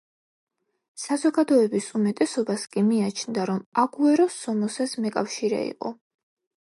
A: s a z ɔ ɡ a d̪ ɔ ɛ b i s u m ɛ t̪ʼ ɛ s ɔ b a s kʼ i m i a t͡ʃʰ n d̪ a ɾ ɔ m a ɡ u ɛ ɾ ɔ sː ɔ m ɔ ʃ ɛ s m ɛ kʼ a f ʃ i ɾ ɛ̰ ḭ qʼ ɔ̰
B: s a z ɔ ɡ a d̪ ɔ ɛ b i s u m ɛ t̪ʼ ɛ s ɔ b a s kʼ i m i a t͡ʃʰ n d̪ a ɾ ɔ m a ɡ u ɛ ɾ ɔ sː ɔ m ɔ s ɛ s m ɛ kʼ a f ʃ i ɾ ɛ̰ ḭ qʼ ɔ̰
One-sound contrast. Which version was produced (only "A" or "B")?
B